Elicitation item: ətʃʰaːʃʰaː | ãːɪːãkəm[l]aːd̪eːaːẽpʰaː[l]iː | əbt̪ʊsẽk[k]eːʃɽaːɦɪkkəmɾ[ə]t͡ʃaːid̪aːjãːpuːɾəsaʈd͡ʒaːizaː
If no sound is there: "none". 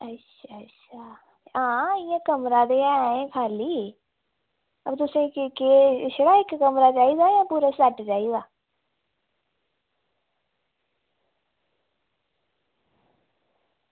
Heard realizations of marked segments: ɾ, l, k, a

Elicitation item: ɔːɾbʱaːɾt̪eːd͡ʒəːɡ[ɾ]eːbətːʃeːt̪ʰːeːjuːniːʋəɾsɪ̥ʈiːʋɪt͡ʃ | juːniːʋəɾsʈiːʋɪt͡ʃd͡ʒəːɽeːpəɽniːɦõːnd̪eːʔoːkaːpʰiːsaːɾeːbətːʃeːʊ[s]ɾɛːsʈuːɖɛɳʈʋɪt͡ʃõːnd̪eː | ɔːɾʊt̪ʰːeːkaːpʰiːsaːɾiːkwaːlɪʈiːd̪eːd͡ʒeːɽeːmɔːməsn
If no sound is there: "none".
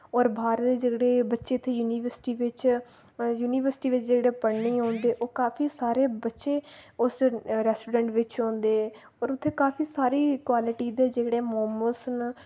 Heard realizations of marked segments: ɽ, s

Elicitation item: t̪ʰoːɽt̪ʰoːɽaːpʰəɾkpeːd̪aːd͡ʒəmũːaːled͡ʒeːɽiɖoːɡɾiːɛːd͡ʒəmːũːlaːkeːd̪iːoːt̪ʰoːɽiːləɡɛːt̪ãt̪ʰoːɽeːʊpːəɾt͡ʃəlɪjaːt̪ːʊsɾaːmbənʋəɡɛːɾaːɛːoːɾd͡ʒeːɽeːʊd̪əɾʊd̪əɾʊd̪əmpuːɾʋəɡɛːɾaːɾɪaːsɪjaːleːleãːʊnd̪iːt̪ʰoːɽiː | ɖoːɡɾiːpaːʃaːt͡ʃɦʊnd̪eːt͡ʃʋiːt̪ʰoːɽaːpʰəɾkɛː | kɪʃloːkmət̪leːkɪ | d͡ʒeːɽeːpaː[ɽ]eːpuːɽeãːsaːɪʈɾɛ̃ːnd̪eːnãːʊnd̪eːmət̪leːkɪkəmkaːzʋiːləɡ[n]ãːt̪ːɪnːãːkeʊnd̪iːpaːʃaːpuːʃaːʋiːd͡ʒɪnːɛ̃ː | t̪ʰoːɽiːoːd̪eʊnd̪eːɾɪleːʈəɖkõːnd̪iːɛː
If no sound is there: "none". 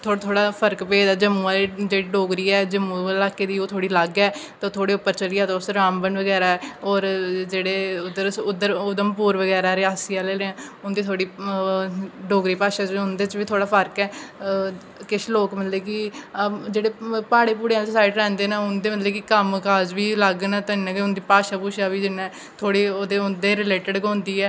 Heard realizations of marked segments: ɽ, n

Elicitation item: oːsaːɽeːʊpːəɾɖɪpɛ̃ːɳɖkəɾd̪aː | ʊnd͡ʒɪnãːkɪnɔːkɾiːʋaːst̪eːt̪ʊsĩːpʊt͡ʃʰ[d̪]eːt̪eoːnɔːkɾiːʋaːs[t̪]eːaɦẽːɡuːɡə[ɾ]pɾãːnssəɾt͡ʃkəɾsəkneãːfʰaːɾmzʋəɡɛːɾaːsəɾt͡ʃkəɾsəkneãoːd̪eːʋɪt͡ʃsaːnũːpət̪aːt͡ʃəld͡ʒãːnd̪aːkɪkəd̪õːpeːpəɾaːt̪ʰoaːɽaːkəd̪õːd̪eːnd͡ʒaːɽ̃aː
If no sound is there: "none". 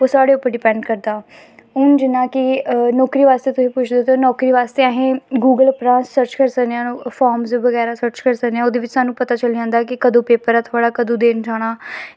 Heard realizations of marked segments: d̪, t̪, l

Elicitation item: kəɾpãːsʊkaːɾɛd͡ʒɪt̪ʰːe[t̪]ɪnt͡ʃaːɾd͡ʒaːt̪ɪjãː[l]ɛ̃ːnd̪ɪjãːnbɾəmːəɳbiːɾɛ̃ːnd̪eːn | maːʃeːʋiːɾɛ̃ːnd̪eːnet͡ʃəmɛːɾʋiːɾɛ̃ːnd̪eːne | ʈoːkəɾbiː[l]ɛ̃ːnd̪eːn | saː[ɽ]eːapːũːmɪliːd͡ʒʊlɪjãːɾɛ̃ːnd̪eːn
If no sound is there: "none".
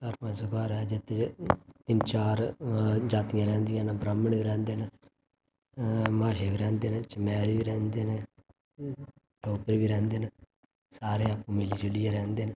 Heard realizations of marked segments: t̪, ɾ, ɾ, ɾ

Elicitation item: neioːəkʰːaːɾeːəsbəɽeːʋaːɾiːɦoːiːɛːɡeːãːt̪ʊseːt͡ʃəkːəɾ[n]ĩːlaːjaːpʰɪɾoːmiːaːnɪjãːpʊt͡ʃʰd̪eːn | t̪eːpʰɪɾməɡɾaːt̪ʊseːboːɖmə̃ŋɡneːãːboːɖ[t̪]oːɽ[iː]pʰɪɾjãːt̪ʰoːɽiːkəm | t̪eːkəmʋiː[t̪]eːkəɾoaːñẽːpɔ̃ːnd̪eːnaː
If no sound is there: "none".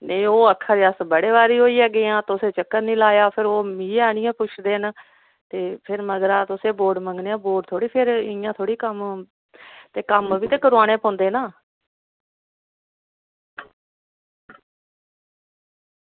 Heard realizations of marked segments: n, t̪ʰ, iː, t̪

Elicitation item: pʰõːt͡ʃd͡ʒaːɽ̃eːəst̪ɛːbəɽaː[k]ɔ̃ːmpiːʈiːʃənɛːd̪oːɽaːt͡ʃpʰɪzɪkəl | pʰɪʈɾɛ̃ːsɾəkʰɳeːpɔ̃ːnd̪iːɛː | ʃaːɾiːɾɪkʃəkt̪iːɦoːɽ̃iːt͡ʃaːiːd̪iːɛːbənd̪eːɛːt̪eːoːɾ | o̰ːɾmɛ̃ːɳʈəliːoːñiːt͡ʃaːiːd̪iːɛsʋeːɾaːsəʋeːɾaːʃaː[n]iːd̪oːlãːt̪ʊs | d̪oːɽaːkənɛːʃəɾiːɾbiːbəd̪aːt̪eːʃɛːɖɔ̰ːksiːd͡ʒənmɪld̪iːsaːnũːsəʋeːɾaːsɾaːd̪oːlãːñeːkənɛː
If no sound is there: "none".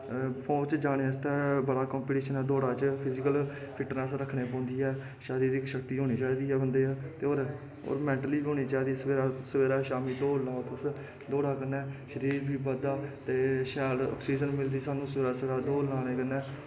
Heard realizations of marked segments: k, m

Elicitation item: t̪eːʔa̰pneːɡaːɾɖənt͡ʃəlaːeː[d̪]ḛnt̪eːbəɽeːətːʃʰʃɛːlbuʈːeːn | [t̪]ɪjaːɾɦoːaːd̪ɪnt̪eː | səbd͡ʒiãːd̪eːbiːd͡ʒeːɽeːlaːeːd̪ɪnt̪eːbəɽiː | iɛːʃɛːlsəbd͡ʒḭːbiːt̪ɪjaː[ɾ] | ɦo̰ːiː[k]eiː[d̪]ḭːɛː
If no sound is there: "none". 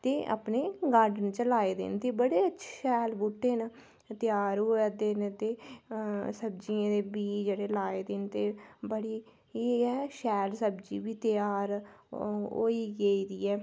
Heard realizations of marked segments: d̪, t̪, ɾ, ɡ, d̪

